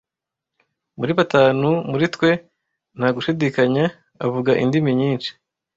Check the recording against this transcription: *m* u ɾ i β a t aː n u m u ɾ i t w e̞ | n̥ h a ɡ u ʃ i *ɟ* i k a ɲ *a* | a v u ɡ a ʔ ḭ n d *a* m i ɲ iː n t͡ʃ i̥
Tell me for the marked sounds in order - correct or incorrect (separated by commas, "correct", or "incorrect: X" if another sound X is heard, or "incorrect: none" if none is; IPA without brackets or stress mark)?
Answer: correct, incorrect: d, correct, incorrect: i